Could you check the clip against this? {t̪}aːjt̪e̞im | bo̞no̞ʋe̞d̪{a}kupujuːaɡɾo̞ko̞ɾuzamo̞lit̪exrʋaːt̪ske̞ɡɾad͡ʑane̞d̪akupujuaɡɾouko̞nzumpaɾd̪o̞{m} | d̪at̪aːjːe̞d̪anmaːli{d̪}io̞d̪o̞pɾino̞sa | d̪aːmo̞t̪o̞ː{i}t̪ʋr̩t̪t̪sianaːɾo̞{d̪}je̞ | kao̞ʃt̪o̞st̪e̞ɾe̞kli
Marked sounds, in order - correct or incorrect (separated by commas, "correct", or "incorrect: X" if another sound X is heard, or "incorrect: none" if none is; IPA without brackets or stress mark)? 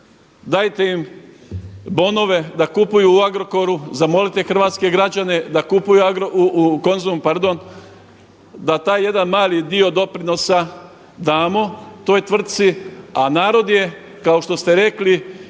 incorrect: d̪, correct, incorrect: n, correct, incorrect: j, correct